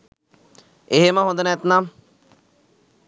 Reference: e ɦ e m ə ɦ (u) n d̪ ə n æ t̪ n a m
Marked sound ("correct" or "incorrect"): incorrect